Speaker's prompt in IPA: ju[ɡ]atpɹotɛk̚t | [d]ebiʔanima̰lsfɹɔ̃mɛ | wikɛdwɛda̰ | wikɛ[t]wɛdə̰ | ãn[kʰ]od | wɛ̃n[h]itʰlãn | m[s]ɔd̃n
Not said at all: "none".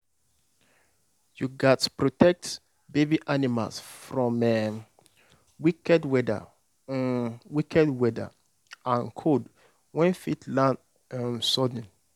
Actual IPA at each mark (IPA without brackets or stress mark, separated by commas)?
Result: ɡ, b, d, kʰ, f, s